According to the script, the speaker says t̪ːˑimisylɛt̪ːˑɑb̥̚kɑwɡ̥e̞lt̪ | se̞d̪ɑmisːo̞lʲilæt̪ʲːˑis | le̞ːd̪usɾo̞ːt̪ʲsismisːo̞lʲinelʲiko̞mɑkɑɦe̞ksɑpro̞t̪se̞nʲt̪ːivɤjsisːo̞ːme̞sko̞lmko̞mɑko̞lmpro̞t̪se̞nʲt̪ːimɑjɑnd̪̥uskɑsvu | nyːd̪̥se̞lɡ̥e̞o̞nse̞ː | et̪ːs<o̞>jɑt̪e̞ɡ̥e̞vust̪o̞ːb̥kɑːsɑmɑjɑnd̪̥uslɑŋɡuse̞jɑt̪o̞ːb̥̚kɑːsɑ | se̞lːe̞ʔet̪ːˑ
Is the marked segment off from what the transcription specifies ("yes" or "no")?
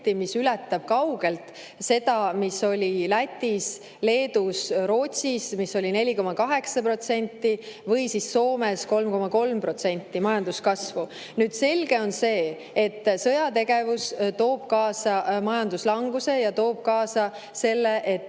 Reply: yes